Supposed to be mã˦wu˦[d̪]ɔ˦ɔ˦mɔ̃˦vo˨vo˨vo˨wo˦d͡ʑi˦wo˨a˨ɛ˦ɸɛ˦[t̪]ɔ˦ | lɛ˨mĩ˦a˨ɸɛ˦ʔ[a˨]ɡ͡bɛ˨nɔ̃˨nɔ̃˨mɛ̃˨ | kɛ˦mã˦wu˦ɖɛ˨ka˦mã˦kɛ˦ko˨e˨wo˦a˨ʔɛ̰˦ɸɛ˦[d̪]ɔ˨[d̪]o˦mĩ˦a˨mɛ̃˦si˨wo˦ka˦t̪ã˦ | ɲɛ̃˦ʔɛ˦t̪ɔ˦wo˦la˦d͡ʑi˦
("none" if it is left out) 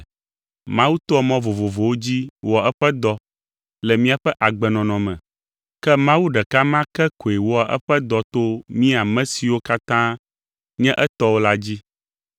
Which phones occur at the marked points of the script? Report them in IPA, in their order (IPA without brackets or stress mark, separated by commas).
t̪, d̪, a˨, d̪, t̪